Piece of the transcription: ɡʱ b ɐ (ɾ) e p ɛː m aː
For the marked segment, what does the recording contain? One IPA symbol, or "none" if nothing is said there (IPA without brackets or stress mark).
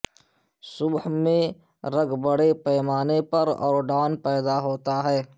ɽ